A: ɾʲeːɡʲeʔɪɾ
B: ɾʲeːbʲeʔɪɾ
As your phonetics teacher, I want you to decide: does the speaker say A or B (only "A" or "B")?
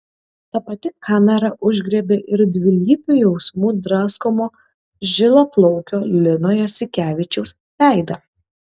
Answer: B